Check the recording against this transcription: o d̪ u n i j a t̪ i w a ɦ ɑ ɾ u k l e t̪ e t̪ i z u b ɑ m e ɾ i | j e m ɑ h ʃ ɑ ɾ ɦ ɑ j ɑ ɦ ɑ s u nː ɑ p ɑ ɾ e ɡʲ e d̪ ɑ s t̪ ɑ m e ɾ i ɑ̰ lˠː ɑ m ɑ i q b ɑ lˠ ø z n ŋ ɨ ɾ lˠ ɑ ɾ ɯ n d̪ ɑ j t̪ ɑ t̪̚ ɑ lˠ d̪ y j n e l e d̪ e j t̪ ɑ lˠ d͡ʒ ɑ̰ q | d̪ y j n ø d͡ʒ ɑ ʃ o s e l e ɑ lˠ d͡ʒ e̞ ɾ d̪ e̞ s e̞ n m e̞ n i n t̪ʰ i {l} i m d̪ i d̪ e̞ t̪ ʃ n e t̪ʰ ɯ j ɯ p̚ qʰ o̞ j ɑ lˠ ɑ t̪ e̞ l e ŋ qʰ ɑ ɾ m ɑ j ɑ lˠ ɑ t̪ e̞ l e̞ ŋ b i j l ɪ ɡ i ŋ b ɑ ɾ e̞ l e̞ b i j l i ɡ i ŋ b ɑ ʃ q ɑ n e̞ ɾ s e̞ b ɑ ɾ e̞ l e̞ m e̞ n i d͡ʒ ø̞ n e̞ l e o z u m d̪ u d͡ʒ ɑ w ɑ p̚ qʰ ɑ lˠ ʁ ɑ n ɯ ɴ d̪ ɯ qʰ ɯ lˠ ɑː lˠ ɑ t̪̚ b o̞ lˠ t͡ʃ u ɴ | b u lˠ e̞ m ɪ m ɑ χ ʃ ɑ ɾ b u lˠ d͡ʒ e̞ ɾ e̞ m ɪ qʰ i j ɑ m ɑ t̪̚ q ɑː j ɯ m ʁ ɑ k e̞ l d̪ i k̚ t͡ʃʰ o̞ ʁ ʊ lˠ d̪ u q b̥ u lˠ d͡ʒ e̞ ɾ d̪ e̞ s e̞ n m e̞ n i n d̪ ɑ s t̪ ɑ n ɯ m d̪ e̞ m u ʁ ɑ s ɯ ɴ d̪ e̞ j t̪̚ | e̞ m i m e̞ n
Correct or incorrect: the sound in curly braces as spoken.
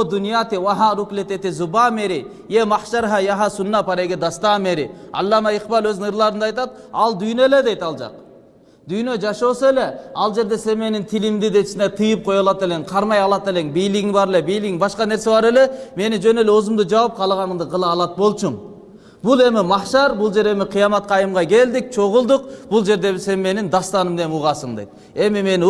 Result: correct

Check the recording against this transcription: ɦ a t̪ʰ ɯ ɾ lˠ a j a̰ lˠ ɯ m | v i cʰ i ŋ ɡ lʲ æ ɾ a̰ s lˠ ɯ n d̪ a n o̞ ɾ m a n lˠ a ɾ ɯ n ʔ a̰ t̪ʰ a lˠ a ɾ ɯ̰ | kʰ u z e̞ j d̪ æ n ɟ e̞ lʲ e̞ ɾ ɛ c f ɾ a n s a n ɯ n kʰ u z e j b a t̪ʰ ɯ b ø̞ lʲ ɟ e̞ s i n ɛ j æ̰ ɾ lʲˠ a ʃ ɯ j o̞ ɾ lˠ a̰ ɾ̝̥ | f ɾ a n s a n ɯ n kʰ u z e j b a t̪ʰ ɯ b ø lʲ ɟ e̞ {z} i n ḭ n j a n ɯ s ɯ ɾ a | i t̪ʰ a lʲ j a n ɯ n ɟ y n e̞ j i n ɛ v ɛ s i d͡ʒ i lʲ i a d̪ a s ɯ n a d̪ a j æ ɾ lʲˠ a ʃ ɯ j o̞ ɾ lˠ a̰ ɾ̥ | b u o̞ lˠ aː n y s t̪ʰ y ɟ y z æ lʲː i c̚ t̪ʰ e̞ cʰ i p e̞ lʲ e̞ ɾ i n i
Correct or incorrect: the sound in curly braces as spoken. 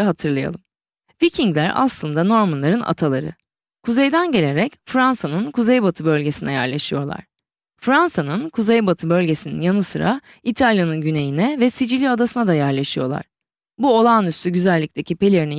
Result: incorrect: s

